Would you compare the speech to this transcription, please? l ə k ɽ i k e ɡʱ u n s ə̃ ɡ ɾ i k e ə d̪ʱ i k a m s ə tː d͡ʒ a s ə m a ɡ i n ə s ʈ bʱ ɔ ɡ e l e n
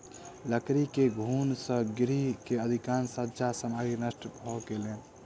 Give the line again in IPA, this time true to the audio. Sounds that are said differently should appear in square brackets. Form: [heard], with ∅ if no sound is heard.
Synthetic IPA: l ə k [ɾ] i k e ɡʱ u n s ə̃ ɡ ɾ i k e ə d̪ʱ i k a [n] s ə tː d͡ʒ a s ə m a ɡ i n ə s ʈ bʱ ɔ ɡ e l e n